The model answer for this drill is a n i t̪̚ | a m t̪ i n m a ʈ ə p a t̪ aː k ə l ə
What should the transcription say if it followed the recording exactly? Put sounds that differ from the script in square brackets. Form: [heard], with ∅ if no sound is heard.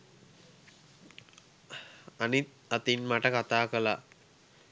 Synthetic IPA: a n i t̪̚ | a [∅] t̪ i n m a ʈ ə [k] a t̪ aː k ə l [a]